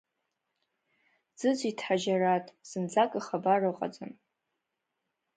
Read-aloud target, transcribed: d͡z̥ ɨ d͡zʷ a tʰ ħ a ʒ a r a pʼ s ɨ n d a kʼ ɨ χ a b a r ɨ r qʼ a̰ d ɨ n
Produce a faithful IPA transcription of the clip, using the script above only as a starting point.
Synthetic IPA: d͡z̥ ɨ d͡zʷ i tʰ ħ a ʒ a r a tʼ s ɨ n d͡z a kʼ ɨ χ a b a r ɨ qʼ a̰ d͡z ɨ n